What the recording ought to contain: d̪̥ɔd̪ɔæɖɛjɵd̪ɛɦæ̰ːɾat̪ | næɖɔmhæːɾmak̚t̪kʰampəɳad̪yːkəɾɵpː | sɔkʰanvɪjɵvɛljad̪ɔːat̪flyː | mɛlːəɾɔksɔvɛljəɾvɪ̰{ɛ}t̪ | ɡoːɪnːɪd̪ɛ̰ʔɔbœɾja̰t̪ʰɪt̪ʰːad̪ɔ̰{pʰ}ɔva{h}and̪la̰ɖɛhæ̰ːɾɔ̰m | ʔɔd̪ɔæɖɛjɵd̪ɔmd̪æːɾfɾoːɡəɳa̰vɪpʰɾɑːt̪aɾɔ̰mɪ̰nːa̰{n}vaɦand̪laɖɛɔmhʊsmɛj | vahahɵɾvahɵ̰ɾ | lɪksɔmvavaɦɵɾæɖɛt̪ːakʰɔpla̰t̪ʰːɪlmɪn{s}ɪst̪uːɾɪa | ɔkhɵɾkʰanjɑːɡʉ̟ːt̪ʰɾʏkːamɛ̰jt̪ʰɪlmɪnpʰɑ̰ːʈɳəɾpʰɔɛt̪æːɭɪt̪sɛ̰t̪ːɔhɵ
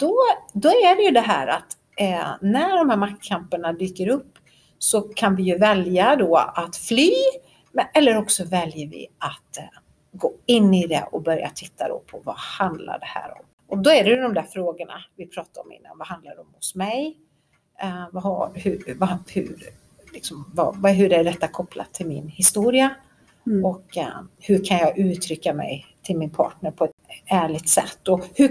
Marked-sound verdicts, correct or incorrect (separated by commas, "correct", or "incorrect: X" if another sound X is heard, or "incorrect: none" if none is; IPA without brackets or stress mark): incorrect: a, correct, correct, correct, incorrect: h